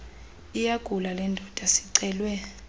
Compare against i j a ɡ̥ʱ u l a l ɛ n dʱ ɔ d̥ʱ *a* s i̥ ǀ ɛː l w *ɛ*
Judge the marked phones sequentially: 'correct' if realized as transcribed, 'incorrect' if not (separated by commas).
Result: correct, correct